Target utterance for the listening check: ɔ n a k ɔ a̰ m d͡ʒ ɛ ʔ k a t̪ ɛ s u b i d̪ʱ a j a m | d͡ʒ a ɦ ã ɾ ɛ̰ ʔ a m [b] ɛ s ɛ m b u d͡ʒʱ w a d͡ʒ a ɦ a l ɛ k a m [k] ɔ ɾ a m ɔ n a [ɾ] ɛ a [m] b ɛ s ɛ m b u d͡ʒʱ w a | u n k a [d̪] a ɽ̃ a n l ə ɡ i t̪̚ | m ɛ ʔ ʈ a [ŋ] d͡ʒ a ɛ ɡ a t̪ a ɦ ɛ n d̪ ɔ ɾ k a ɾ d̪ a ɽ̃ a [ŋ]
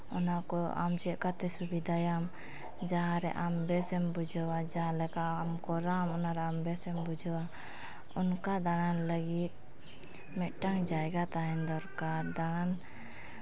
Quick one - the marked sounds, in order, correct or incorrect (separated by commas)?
correct, correct, correct, correct, correct, correct, incorrect